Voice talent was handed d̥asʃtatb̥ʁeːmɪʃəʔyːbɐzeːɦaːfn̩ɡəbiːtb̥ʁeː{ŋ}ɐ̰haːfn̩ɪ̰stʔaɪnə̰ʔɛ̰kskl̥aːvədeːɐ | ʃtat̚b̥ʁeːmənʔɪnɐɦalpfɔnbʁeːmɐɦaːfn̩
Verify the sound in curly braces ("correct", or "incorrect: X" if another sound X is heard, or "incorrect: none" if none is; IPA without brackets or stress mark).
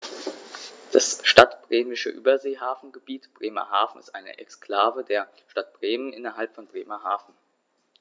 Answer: incorrect: m